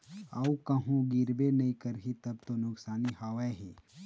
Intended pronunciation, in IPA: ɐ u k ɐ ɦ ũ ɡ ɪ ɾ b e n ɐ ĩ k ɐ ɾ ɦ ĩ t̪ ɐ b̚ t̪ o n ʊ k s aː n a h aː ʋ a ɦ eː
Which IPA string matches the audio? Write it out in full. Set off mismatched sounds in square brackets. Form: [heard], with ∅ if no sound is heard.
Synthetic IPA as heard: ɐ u k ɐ ɦ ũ ɡ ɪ ɾ b e n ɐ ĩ k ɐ ɾ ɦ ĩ t̪ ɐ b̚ t̪ o n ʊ k s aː n [i] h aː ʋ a ɦ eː